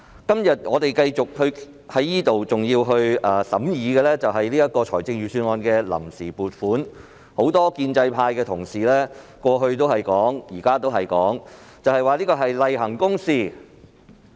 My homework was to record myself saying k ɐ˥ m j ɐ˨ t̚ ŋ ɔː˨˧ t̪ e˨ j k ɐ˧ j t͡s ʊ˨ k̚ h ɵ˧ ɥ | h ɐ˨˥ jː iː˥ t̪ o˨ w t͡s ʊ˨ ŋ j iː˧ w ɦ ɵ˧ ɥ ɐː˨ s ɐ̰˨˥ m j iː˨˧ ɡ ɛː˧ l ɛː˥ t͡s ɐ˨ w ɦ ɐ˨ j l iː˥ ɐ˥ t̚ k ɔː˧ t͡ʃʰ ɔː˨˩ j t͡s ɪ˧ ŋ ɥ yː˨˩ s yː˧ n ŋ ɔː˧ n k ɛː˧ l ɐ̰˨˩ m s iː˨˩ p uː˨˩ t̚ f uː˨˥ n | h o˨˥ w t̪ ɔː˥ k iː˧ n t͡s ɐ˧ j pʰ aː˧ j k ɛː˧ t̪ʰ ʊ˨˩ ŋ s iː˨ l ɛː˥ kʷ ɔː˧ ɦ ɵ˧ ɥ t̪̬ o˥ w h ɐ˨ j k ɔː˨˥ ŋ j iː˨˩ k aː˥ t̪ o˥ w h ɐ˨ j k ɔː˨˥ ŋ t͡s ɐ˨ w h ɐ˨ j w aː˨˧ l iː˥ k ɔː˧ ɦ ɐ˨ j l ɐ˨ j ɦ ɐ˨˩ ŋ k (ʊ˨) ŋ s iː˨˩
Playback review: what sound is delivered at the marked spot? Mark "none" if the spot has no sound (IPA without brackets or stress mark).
ʊ˥